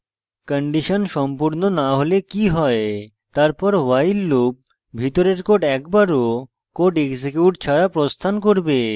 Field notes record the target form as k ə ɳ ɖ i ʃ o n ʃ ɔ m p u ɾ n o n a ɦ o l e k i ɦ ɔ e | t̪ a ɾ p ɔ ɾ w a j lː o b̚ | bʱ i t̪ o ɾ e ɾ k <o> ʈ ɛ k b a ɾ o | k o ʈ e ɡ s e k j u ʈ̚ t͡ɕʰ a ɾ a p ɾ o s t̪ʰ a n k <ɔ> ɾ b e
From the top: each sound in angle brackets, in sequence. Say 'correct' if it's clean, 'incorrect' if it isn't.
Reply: correct, incorrect: o

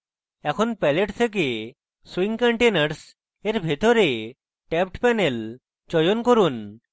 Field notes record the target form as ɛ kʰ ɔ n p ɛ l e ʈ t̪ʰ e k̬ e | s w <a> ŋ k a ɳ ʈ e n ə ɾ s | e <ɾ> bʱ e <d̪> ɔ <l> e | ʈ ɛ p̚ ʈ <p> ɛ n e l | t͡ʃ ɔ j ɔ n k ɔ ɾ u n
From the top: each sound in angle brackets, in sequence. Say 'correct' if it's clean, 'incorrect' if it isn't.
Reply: incorrect: i, correct, incorrect: t̪, incorrect: ɾ, correct

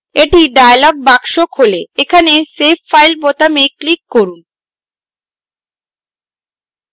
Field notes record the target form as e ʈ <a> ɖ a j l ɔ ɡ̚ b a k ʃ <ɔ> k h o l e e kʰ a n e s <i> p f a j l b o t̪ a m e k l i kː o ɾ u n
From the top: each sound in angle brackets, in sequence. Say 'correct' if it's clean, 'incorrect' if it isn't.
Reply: incorrect: i, incorrect: o, incorrect: e

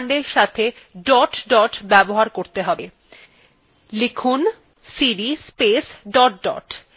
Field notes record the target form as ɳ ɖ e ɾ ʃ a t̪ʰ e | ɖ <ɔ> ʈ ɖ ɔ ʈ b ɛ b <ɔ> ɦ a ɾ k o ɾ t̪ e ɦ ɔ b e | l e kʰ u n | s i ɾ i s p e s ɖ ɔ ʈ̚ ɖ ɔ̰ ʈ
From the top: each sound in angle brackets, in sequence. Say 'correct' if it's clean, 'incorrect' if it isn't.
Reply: correct, incorrect: o

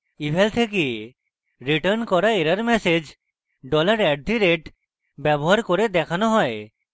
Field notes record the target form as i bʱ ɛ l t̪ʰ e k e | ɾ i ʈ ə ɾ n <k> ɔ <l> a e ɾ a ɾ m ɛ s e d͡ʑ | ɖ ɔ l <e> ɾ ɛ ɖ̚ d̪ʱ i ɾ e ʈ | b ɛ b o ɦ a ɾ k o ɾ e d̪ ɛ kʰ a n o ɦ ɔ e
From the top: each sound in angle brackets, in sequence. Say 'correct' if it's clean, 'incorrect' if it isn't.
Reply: correct, incorrect: ɾ, incorrect: a

